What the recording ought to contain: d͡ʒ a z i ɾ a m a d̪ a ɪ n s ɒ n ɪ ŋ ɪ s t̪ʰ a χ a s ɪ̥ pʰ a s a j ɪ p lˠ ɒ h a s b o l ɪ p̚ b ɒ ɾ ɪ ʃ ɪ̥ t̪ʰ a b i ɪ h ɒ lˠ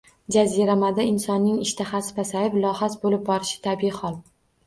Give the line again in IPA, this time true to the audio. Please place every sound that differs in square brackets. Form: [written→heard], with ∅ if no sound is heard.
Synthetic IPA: d͡ʒ a z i ɾ a m a d̪ a ɪ n s ɒ [n→nː] ɪ ŋ ɪ [s→ʃ] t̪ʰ a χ a s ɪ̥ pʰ a s a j ɪ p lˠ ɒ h a s b o l ɪ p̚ b ɒ ɾ ɪ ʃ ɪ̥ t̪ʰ a b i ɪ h ɒ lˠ